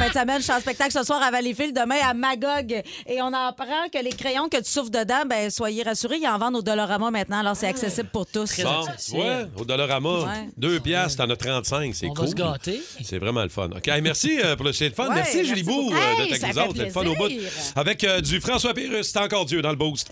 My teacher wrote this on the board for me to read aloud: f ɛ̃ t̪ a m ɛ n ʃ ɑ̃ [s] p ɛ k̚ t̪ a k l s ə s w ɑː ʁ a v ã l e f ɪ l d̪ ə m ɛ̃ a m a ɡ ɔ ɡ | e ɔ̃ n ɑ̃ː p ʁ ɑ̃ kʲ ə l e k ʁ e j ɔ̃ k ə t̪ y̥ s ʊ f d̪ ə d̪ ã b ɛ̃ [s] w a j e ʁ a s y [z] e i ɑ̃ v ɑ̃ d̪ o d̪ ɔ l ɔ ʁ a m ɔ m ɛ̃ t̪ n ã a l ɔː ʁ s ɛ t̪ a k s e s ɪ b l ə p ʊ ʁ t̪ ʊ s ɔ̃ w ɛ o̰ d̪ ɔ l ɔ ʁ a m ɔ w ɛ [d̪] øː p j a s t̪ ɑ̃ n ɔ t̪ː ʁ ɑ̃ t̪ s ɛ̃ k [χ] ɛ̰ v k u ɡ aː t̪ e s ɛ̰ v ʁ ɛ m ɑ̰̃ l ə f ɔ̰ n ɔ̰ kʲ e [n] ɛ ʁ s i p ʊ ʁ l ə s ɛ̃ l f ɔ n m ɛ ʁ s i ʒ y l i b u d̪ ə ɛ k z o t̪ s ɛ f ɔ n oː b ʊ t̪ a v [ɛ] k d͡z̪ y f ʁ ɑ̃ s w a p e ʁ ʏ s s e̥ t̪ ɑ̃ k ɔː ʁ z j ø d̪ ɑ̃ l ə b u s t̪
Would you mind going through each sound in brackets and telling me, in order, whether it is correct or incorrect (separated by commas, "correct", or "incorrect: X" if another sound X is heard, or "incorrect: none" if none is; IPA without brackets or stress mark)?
correct, correct, incorrect: ʁ, correct, incorrect: s, incorrect: m, correct